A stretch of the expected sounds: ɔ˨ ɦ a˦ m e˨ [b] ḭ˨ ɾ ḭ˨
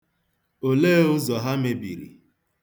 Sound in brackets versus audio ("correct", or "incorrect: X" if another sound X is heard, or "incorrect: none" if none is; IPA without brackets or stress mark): correct